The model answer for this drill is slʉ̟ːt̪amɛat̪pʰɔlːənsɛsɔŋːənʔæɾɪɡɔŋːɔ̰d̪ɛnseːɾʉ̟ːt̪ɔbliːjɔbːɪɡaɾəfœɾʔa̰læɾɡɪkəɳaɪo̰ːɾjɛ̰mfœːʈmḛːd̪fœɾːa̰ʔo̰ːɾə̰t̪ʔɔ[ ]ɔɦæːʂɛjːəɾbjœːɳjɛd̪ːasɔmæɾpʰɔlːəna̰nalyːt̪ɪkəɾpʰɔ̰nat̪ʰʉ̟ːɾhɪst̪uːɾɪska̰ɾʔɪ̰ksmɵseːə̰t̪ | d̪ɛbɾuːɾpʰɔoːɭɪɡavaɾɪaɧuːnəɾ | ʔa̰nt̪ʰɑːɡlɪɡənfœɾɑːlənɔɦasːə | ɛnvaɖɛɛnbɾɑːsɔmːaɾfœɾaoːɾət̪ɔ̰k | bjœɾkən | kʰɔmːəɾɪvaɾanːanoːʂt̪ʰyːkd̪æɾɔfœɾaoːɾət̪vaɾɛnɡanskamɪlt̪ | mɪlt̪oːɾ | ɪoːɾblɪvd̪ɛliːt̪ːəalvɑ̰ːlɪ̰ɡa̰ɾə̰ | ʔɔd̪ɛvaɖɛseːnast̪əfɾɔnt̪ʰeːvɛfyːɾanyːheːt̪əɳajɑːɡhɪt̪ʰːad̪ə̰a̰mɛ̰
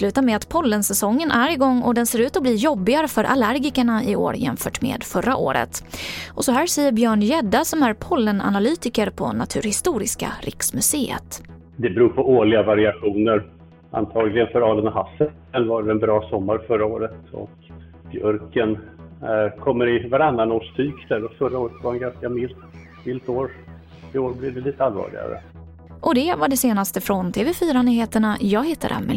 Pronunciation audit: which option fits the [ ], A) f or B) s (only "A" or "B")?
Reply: B